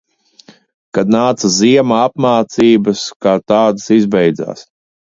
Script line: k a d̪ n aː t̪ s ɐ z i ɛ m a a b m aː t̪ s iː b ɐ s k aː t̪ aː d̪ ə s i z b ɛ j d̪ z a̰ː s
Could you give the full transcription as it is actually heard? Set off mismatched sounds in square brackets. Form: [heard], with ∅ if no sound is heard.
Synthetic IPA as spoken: k a d̪ n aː t̪ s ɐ z i ɛ m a a [p] m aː t̪ s iː b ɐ s k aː t̪ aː d̪ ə s i z b ɛ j d̪ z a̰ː s